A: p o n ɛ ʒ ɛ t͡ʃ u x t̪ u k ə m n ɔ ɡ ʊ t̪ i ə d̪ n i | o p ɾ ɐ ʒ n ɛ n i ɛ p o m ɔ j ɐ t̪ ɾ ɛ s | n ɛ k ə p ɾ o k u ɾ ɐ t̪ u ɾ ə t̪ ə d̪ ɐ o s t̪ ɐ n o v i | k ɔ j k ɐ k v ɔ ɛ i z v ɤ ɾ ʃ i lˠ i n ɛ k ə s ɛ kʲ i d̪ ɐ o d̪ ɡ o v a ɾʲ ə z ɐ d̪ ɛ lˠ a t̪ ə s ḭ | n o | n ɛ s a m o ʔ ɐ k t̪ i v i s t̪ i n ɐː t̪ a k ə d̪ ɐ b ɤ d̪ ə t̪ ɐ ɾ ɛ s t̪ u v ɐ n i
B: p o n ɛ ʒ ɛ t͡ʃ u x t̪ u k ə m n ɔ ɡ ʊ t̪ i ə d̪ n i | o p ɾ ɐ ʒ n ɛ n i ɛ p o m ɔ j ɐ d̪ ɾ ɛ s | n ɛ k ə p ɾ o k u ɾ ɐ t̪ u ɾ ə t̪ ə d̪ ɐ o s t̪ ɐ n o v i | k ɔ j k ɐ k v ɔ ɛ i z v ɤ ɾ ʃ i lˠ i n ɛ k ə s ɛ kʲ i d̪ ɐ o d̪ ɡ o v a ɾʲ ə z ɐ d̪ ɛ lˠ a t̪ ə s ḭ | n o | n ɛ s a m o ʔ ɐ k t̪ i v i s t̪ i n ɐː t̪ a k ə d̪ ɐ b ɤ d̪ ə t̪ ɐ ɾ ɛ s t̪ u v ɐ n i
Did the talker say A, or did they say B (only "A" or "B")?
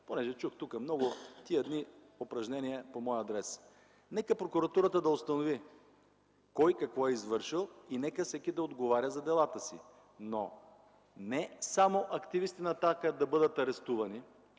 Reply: B